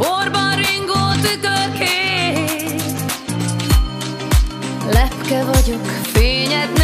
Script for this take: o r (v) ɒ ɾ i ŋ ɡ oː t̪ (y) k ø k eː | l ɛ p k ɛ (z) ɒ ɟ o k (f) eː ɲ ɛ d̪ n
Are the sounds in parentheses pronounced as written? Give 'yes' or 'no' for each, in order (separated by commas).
no, yes, no, yes